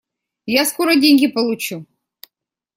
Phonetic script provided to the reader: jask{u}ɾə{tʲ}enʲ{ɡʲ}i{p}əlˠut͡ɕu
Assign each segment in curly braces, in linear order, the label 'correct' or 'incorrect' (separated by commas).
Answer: incorrect, incorrect, correct, correct